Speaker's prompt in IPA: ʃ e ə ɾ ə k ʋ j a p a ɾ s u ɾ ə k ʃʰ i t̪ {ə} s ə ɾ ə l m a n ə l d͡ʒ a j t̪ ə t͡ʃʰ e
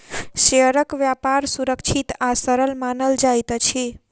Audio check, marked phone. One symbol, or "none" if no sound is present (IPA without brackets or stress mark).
a